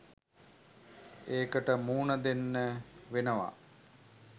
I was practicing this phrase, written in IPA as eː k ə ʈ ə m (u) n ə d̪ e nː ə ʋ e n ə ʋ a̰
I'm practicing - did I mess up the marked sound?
yes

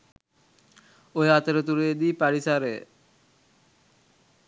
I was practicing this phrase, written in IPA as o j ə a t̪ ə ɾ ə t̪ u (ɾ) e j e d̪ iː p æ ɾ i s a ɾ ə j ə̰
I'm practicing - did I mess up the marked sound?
no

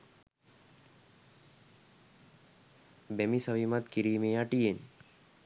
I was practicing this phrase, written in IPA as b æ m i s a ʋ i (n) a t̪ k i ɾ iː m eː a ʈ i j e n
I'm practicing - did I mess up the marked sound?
yes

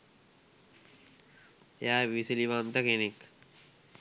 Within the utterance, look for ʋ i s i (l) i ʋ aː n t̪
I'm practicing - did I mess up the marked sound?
no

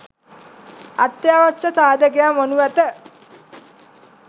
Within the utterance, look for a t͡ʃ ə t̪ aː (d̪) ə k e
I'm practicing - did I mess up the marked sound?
no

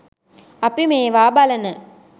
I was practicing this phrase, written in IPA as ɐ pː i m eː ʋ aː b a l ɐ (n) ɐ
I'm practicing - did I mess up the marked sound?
no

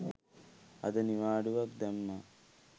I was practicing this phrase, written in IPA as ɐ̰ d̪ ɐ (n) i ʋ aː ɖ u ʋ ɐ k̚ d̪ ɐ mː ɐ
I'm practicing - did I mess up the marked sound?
no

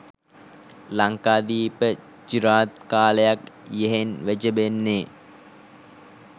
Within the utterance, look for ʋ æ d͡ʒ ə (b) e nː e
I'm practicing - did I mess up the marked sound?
no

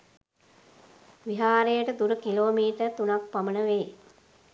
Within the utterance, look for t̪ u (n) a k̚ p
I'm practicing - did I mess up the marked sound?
no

